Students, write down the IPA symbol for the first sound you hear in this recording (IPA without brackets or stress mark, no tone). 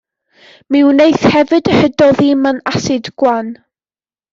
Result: m